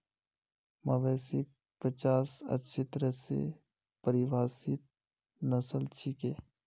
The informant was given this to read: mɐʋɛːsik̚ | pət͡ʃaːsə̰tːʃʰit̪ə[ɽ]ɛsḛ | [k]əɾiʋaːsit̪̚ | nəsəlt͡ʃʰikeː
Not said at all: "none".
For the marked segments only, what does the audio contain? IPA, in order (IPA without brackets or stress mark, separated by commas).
ɾ, p